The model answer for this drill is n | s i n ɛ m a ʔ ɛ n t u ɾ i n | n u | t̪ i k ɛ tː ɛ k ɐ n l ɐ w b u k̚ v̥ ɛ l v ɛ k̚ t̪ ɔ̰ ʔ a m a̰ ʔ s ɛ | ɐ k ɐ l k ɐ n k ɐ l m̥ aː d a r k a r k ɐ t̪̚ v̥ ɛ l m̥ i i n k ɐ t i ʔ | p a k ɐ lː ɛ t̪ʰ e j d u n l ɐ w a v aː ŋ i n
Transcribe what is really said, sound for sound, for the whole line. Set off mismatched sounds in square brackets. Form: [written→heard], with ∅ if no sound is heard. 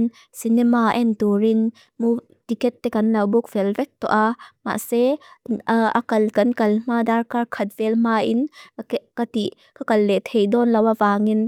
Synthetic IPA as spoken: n | s i n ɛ m a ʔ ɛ n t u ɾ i n | [n→m] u | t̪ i k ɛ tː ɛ k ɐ n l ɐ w b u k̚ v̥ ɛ l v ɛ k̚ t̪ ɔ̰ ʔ a m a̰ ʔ s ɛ | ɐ k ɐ l k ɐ n k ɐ l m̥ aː d a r k a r [k→kʰ] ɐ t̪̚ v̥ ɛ l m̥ [i→a] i n k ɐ t i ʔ | [p→k] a k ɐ lː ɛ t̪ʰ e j d [u→ɔ] n l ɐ w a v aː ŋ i n